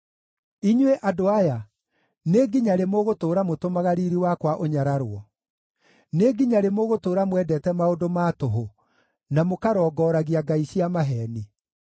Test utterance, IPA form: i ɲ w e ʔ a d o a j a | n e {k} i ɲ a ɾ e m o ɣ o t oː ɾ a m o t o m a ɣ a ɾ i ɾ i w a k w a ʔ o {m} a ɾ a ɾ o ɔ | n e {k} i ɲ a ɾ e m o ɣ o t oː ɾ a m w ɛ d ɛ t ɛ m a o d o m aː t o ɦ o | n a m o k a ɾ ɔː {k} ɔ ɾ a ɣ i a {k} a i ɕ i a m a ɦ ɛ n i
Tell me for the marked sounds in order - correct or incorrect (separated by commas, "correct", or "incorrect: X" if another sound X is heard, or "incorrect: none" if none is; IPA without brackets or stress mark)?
incorrect: ɡ, incorrect: ɲ, incorrect: ɡ, incorrect: ɡ, incorrect: ɡ